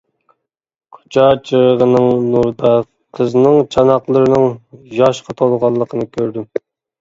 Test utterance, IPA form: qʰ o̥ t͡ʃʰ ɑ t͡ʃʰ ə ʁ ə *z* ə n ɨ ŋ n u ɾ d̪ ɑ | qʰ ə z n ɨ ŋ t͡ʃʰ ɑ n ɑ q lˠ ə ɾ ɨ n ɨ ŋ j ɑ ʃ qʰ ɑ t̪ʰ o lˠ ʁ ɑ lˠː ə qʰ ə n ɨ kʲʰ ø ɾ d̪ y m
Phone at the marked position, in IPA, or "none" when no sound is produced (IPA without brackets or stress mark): ʁ